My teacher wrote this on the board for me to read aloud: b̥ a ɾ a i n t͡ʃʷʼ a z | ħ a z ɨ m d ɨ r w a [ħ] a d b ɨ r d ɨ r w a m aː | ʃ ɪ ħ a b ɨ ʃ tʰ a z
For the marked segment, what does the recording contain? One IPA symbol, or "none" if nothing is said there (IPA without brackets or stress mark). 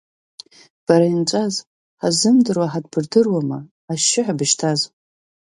ħ